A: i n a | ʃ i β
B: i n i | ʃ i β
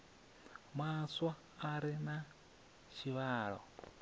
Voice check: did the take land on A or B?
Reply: A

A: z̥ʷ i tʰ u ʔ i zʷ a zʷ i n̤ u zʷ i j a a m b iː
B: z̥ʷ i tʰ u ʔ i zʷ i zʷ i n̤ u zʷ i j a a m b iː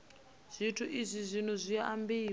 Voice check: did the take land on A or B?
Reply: B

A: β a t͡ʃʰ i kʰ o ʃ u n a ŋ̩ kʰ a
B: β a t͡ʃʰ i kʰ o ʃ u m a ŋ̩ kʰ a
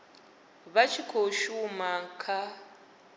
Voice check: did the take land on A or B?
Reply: B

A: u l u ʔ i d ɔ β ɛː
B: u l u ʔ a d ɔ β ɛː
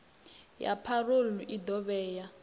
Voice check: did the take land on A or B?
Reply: A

